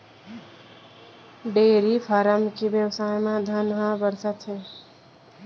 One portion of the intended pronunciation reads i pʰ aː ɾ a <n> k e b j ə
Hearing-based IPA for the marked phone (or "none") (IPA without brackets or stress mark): m